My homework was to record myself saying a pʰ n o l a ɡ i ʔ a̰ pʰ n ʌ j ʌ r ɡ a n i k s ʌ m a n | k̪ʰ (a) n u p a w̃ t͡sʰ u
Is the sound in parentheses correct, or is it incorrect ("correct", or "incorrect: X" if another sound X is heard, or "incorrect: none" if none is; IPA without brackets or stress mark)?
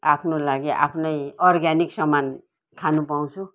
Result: correct